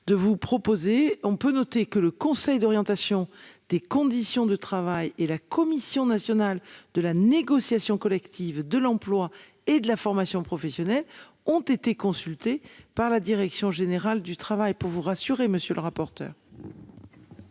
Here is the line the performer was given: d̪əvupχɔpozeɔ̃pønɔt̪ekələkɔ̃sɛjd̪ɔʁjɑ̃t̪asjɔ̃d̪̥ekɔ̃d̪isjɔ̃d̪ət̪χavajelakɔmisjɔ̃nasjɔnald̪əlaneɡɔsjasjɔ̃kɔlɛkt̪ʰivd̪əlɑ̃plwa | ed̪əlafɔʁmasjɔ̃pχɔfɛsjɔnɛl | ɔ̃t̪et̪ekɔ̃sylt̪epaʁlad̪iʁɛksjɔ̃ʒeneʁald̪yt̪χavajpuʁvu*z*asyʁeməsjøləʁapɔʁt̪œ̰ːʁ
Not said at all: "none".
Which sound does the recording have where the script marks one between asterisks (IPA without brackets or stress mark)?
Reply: ʁ